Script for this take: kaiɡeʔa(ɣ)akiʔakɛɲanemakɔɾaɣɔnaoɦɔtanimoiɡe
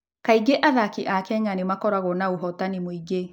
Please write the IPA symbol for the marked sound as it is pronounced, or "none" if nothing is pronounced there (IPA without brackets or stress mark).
ð